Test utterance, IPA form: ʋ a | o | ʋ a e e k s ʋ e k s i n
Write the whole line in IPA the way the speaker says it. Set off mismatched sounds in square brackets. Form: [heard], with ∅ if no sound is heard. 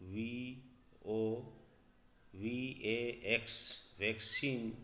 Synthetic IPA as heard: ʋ [i] | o | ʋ [i] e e k s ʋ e k s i n